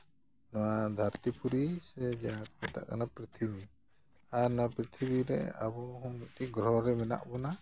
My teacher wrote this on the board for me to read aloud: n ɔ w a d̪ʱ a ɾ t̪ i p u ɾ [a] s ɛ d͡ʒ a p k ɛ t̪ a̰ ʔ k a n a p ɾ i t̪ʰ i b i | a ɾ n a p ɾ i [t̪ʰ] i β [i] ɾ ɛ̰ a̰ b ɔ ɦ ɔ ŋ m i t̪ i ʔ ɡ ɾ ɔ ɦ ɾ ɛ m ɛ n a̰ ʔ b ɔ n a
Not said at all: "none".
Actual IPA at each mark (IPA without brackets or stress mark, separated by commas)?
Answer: i, t̪ʰ, i